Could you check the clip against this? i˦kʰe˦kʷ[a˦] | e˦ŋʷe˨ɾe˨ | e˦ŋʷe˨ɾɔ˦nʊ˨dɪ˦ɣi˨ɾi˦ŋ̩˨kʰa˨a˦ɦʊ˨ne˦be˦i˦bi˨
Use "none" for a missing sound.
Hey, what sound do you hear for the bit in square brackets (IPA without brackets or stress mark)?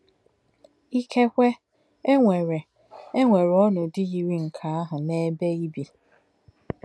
e˦